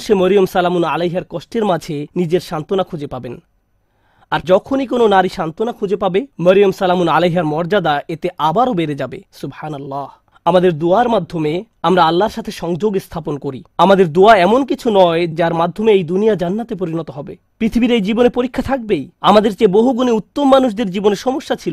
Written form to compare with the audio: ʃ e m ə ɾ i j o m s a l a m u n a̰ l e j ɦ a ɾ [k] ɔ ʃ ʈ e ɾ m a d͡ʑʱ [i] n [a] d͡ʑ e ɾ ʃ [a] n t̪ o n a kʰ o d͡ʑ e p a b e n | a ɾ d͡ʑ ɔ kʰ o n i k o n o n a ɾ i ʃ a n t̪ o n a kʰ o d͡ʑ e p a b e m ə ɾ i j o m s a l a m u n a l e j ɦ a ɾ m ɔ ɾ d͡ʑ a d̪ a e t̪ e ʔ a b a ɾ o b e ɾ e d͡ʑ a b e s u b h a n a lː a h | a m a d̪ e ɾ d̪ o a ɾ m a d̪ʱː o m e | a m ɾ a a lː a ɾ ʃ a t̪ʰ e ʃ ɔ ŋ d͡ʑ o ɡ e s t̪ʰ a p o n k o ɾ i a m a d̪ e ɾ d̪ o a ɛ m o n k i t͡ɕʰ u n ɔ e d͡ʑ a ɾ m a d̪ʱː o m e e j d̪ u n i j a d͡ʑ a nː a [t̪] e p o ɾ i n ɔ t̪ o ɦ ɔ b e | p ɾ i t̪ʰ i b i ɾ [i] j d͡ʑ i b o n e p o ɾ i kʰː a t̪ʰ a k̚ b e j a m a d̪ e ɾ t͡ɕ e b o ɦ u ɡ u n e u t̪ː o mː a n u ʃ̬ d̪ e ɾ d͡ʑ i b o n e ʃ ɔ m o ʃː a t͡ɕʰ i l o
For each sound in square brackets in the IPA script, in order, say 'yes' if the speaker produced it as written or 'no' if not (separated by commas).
yes, no, no, yes, yes, no